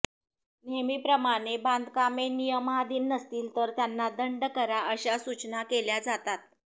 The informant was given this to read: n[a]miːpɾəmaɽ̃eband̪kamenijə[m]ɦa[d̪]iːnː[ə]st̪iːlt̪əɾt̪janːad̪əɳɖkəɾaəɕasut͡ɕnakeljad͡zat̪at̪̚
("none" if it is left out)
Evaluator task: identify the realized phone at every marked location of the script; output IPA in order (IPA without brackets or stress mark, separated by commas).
e, m, d̪, ə